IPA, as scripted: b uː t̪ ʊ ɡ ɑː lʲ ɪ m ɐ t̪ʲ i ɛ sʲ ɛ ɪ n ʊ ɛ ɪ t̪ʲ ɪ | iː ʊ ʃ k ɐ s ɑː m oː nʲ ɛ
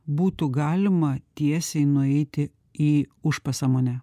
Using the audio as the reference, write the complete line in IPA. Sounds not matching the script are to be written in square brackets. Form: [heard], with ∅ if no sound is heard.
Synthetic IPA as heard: b uː t̪ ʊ ɡ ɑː lʲ ɪ m ɐ t̪ʲ i ɛ sʲ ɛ ɪ n ʊ ɛ ɪ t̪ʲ ɪ | iː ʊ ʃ [p] ɐ s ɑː m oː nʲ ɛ